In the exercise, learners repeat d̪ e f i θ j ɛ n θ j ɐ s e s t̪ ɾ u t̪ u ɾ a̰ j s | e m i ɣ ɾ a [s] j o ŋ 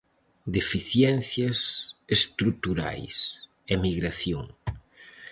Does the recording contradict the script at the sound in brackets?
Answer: yes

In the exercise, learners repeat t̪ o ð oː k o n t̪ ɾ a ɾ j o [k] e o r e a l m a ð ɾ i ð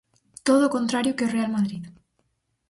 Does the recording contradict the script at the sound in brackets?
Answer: no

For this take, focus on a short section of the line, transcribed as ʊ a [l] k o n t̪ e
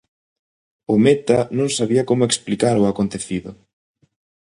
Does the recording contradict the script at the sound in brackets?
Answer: yes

